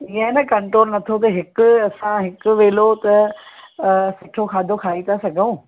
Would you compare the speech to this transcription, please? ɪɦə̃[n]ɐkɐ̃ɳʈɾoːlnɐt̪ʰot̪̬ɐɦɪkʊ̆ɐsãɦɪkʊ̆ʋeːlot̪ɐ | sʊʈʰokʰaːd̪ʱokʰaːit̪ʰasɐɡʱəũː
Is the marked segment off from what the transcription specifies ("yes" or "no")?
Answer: no